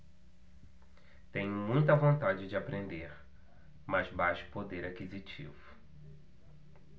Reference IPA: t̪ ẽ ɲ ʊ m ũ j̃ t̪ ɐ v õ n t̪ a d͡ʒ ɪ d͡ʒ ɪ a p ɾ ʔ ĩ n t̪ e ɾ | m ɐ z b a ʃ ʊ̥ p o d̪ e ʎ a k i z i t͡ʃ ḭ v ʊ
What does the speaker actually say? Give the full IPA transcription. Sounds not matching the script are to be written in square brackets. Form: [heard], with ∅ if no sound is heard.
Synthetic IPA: t̪ ẽ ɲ ʊ m ũ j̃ t̪ ɐ v õ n t̪ a d͡ʒ ɪ d͡ʒ ɪ a p ɾ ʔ [ẽ] n [d̪] e ɾ | m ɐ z b a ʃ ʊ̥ p o d̪ e [ɾ] a k i z i t͡ʃ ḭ v ʊ